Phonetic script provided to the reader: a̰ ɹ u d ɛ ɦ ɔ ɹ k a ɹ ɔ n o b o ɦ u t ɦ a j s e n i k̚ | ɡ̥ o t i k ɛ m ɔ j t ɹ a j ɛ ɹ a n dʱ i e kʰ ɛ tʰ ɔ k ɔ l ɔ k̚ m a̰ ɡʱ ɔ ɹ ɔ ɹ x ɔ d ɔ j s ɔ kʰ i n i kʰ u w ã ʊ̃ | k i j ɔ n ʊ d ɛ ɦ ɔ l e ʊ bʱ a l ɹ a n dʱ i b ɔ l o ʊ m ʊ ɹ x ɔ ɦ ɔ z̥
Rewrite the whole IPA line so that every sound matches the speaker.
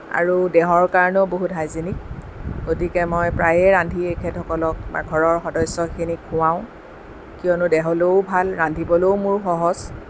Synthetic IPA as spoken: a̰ ɹ u d ɛ ɦ ɔ ɹ k a ɹ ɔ n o b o ɦ u t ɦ a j z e n i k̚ | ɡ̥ o t i k ɛ m ɔ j p ɹ a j ɛ ɹ a n dʱ i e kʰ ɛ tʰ ɔ k ɔ l ɔ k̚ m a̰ ɡʱ ɔ ɹ ɔ ɹ x ɔ d ɔ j s ɔ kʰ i n i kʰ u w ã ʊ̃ | k i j ɔ n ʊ d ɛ ɦ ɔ l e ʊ bʱ a l ɹ a n dʱ i b ɔ l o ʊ m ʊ ɹ x ɔ ɦ ɔ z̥